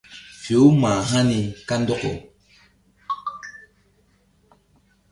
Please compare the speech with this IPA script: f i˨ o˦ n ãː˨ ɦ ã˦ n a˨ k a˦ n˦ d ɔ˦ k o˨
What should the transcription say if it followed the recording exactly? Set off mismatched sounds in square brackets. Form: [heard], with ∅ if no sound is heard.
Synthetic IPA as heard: f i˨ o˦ [m] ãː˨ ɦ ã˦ n [i˨] k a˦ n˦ d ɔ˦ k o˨

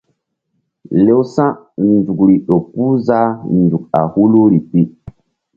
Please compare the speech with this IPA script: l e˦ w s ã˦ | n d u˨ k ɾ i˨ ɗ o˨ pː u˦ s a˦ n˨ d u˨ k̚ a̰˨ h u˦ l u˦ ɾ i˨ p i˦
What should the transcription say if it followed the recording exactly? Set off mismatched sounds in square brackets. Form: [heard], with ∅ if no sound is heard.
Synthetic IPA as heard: l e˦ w s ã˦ | n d u˨ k ɾ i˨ ɗ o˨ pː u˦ [z] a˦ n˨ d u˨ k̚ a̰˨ h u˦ l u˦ ɾ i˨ p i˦

